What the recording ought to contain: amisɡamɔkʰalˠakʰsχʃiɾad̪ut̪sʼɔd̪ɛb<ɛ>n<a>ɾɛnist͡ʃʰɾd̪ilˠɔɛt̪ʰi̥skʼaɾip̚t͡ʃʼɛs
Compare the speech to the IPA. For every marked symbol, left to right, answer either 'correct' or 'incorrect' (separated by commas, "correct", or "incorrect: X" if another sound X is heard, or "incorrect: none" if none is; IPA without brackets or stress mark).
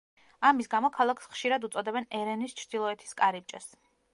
correct, incorrect: ɛ